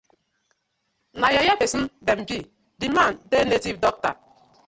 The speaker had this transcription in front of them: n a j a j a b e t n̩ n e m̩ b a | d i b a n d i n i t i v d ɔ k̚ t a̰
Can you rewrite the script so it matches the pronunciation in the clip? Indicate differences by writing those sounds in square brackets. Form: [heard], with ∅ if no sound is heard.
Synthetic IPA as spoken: n a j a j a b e [s] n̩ [d] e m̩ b [i] | d i [m] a n d [e] n [e] t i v d ɔ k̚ t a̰